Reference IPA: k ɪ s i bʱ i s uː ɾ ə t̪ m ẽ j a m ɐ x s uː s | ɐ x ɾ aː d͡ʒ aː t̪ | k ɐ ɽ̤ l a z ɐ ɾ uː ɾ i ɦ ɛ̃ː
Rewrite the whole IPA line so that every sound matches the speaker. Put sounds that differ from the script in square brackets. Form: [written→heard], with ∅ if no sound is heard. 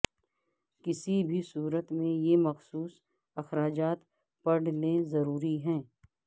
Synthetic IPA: k ɪ s i bʱ i s uː ɾ ə t̪ m ẽ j [a→e] m ɐ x s uː s | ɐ x ɾ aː d͡ʒ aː t̪ | [k→p] ɐ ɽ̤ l [a→e] z ɐ ɾ uː ɾ i ɦ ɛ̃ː